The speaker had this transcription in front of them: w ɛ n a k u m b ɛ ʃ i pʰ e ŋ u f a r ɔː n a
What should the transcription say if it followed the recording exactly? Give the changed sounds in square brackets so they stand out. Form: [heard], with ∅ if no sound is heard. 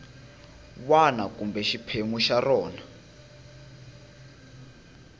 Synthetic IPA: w [a] n a k u m b ɛ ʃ i pʰ e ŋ u [ʃ] a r ɔː n a